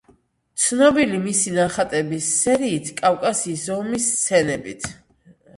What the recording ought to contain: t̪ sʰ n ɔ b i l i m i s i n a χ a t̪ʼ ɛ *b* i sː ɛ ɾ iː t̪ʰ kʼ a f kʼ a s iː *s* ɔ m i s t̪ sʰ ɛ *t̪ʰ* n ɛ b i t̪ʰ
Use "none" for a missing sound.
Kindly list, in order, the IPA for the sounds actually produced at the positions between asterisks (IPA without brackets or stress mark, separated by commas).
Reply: b, s, none